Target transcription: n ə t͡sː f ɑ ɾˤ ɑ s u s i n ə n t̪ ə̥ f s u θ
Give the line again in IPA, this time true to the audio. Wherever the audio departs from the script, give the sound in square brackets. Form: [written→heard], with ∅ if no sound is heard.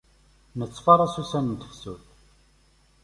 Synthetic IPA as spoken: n ə t͡sː f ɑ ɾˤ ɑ s u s [i→æ] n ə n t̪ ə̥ f s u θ